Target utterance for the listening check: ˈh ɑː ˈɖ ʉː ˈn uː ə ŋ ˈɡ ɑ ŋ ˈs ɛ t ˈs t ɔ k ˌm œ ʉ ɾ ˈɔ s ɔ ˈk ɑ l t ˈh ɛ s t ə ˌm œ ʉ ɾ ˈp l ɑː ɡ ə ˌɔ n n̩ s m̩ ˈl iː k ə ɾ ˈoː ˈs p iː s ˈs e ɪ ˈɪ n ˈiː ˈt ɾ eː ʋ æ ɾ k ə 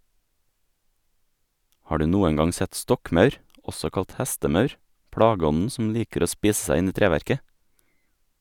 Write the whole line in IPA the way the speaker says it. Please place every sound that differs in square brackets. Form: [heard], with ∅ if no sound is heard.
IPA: ˈh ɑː ˈɖ ʉː ˈn uː ə ŋ ˈɡ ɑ ŋ ˈs ɛ t ˈs t ɔ k ˌm œ ʉ ɾ ˈɔ s ɔ ˈk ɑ l t ˈh [æ] s t ə ˌm œ ʉ ɾ ˈp [ɽ] ɑː ɡ ə ˌɔ n n̩ s m̩ ˈl iː k ə ɾ ˈoː ˈs p iː s ˈs [æ] ɪ ˈɪ n ˈiː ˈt ɾ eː ʋ æ ɾ k ə